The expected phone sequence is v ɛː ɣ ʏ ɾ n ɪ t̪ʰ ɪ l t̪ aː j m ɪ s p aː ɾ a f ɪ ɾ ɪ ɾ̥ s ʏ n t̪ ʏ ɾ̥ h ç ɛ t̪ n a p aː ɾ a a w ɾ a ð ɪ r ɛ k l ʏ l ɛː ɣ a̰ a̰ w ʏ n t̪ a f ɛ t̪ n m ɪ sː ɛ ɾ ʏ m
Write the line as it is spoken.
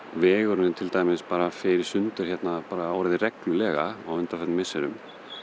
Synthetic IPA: v ɛː ɣ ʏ ɾ n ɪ t̪ʰ ɪ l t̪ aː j m ɪ s p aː ɾ a f ɪ ɾ ɪ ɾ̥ s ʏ n t̪ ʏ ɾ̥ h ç ɛ t̪ n a p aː ɾ a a w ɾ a ð ɪ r ɛ k l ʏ l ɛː ɣ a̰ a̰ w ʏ n t̪ a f ɛ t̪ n m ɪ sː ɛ ɾ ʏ m